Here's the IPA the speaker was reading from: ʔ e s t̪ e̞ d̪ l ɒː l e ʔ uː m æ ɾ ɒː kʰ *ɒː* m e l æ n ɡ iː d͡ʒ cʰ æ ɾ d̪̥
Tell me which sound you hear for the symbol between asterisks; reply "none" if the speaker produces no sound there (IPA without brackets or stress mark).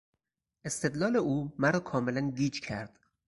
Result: ɒː